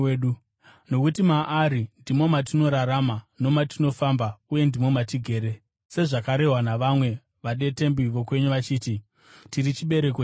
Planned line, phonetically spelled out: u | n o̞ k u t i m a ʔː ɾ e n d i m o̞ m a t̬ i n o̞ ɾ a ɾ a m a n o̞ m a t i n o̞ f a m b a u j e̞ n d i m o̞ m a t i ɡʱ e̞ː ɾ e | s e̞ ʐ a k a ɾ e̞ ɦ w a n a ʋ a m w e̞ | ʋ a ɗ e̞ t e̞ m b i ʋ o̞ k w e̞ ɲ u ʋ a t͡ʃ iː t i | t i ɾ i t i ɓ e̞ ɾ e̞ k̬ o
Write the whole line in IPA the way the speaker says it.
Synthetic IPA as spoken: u | n o̞ k u t i m a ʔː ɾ i n d i m o̞ m a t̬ i n o̞ ɾ a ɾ a m a n o̞ m a t i n o̞ f a m b a u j e̞ n d i m o̞ m a t i ɡʱ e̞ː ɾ e | s e̞ ʐ a k a ɾ e̞ ɦ w a n a ʋ a m w e̞ | ʋ a ɗ e̞ t e̞ m b i ʋ o̞ k w e̞ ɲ u ʋ a t͡ʃ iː t i | t i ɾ i t͡ʃ i ɓ e̞ ɾ e̞ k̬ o